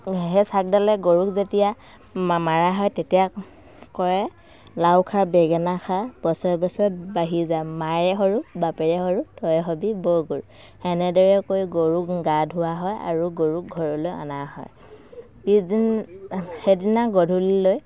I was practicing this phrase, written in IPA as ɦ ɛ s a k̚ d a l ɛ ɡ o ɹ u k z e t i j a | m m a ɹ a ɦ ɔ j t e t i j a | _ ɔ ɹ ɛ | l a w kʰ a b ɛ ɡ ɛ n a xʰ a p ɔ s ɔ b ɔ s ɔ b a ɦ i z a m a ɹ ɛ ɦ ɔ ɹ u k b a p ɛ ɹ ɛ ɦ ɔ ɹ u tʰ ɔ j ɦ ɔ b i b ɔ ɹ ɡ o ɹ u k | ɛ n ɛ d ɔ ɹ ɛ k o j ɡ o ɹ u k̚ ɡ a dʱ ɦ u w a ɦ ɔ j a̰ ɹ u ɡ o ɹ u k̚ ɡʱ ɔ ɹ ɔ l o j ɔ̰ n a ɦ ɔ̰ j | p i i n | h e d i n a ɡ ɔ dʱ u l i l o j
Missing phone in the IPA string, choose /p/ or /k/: k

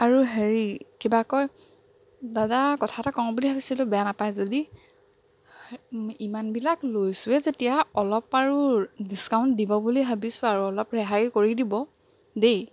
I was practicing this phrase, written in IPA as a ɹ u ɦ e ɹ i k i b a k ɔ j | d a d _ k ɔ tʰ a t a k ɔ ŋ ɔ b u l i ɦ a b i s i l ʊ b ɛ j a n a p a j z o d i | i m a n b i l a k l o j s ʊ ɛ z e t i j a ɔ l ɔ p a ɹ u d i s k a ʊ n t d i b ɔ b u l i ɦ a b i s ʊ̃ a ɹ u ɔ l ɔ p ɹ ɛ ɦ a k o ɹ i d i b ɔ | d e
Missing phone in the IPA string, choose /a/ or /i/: a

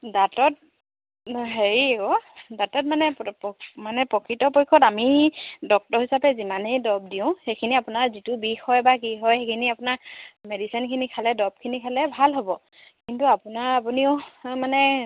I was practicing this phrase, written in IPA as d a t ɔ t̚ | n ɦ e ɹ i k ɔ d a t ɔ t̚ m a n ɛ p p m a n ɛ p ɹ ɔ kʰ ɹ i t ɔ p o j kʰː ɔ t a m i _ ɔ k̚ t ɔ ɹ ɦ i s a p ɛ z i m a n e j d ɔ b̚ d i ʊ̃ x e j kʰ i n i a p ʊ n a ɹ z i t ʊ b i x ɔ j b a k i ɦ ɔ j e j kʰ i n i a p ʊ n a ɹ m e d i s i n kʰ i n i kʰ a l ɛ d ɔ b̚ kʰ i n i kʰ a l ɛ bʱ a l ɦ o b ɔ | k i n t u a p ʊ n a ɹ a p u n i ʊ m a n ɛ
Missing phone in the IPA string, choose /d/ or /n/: d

